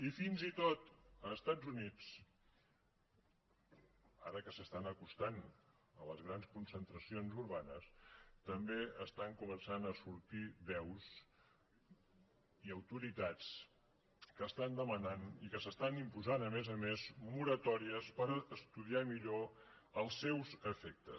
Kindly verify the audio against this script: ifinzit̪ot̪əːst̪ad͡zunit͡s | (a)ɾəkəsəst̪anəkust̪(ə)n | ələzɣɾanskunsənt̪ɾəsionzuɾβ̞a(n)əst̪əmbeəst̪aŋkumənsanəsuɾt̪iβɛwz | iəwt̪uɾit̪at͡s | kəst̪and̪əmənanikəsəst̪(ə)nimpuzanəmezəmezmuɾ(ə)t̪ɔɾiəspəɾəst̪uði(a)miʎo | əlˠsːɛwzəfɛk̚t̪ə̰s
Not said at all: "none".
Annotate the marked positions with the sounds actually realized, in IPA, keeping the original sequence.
a, a, n, a, ə, a

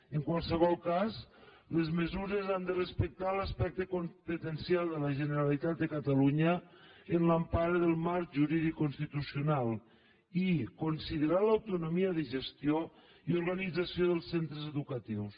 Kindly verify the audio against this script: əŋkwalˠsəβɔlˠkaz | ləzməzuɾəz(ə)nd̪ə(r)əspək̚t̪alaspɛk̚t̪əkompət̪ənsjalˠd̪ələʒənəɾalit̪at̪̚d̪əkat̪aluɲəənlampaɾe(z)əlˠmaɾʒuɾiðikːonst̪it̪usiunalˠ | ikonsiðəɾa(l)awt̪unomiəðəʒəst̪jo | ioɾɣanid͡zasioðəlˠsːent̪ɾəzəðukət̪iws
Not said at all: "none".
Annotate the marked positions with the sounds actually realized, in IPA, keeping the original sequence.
a, r, ð, l

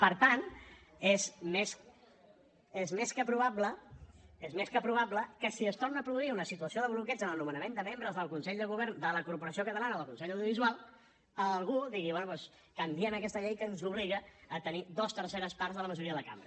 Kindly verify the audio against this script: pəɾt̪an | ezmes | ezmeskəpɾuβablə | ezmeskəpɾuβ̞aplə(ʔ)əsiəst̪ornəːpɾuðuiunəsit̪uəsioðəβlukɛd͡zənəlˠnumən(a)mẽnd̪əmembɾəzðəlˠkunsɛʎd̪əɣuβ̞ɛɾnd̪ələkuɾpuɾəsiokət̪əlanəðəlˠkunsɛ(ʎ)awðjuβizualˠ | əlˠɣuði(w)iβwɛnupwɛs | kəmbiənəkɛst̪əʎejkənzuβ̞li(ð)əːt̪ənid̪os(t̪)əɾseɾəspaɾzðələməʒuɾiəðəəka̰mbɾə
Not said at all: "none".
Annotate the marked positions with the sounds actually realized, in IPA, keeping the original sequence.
k, ə, ʎ, ɣ, ɣ, t̪

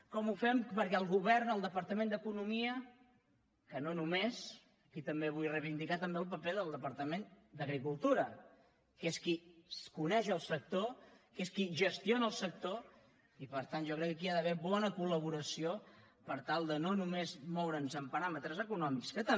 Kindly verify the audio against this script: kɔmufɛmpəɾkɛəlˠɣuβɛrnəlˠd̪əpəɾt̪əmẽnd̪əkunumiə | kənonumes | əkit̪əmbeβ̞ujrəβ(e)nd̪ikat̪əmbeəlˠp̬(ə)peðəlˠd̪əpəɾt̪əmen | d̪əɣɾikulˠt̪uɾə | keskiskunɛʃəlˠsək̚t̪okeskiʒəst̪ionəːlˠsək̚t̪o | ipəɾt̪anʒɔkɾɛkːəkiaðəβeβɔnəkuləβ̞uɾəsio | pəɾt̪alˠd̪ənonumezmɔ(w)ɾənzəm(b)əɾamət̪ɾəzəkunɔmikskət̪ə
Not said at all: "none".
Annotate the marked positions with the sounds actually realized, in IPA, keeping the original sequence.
i, ə, w, p

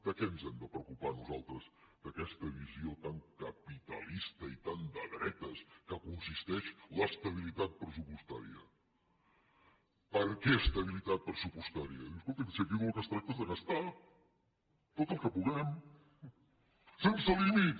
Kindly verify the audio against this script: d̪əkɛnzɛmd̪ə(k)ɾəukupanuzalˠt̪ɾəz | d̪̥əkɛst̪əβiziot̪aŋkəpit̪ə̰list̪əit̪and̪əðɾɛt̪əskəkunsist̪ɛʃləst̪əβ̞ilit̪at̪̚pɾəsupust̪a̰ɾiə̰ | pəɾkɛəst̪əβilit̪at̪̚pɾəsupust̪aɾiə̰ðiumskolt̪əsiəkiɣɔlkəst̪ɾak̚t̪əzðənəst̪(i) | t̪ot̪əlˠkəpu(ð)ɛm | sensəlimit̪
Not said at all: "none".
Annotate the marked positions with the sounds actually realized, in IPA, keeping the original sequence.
p, a, ɣ

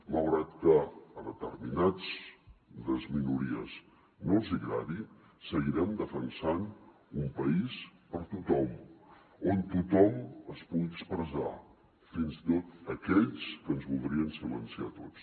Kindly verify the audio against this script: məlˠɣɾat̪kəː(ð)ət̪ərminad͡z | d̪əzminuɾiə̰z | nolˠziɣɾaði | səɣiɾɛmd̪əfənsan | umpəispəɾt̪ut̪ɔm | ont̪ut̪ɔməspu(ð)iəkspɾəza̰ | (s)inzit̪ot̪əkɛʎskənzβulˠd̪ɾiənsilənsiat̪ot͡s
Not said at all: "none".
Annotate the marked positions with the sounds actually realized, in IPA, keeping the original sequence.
ð, ɣ, f

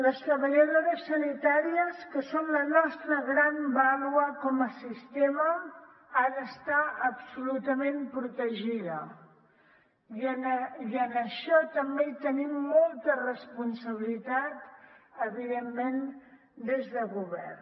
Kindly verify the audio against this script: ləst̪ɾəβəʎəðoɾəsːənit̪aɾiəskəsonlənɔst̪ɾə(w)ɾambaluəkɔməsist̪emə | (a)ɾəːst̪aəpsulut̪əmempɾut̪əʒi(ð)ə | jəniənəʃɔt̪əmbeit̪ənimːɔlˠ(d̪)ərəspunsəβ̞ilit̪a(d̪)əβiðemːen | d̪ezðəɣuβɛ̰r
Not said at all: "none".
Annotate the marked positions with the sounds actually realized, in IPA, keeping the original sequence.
ɣ, a, ð, t̪, t̪

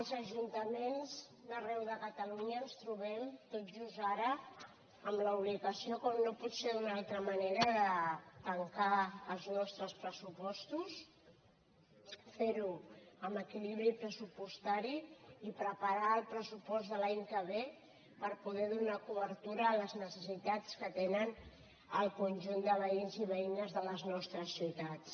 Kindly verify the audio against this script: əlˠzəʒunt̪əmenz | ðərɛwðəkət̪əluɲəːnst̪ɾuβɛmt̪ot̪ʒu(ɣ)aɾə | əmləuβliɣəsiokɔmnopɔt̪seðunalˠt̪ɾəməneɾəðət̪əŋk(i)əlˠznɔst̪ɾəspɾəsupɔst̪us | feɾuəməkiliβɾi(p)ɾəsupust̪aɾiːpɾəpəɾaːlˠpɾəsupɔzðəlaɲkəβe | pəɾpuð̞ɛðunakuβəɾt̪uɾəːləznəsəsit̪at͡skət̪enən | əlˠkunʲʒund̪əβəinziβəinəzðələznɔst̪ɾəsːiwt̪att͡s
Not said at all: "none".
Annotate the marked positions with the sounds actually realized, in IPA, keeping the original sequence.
z, a, p

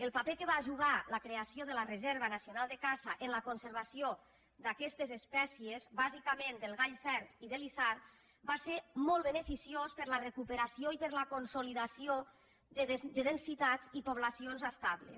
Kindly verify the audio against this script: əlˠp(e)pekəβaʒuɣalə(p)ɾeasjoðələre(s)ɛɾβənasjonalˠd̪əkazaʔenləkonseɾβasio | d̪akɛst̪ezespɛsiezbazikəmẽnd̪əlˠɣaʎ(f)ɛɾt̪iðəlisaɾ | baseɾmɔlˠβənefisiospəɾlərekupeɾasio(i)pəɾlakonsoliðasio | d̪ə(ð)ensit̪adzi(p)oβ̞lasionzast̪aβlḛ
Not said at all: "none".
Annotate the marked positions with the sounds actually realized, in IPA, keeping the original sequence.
a, k, z, f, i, ð, p

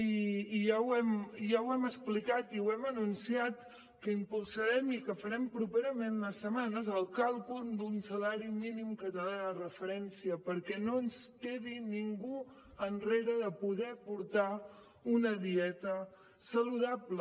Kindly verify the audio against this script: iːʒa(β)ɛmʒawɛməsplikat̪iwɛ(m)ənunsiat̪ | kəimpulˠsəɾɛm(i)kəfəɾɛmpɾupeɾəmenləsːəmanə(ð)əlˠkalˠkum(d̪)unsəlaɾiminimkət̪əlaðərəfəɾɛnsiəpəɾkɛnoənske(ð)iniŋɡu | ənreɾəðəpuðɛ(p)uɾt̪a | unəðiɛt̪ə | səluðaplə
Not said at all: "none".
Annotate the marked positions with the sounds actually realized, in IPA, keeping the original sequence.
w, m, i, z, d̪, ð, p

